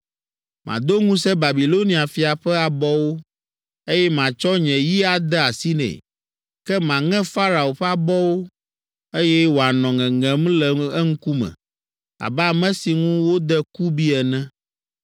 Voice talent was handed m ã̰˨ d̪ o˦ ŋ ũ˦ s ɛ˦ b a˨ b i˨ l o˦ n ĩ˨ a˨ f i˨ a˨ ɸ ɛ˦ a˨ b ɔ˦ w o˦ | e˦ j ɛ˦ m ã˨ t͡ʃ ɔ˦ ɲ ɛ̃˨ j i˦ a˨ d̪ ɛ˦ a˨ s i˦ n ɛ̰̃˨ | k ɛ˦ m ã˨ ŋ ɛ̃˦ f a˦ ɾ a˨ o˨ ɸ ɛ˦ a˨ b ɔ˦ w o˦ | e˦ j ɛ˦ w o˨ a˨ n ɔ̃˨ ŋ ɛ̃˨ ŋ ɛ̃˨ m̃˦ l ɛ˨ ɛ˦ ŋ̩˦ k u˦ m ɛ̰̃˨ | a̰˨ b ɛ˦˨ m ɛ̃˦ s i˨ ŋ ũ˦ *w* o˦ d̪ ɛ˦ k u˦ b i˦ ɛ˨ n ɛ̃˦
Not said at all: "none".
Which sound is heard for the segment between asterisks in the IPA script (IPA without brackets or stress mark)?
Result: w